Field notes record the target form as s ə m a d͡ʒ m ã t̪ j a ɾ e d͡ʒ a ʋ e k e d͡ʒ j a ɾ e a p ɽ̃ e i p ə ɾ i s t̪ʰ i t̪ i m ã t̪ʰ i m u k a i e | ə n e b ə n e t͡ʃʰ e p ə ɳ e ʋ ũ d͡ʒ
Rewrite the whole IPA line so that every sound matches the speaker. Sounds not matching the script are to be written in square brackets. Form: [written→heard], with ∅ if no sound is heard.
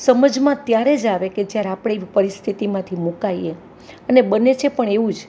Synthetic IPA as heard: s ə m [a→ə] d͡ʒ m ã t̪ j a ɾ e d͡ʒ a ʋ e k e d͡ʒ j a ɾ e a p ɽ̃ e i p ə ɾ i s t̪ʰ i t̪ i m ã t̪ʰ i m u k a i e | ə n e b ə n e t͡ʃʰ e p ə ɳ e ʋ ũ d͡ʒ